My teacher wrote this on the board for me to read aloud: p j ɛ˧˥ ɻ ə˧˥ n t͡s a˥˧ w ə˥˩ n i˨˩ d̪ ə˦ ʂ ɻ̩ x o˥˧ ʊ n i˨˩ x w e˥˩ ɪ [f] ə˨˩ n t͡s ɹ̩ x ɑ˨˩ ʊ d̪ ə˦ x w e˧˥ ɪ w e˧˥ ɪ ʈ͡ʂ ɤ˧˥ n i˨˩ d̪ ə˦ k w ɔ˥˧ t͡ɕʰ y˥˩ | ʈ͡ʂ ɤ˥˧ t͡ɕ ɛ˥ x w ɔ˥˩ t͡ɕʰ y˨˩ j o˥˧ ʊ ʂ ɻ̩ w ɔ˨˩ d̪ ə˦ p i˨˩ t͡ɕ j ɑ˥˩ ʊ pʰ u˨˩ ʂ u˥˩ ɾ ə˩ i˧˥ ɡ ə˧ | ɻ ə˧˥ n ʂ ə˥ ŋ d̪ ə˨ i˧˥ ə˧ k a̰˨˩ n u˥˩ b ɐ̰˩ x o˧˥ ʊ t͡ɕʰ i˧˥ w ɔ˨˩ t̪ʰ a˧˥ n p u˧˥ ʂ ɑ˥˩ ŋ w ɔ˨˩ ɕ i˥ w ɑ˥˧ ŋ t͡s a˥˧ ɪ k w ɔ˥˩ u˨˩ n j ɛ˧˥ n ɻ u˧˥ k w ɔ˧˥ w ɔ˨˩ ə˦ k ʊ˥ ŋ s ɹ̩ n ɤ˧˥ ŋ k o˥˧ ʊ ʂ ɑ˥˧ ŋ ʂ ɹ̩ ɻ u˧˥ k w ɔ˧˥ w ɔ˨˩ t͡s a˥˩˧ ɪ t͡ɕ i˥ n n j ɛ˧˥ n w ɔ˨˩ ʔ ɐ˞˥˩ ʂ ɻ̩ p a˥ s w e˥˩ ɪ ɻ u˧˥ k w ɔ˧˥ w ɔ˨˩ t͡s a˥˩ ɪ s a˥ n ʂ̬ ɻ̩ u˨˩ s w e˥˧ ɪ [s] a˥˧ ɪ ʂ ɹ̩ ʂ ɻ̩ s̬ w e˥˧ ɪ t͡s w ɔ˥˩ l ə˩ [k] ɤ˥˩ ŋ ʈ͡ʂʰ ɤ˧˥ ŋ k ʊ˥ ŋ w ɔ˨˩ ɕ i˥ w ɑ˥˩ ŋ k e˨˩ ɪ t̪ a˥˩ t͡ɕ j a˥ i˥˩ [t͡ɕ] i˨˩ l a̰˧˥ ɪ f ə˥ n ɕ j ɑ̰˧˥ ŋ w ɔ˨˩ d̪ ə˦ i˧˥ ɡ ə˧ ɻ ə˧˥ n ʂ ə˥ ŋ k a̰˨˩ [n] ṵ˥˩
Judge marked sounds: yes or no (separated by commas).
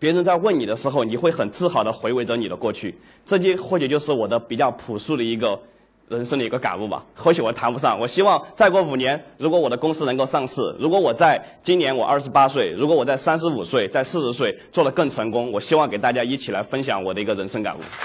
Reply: no, no, yes, no, yes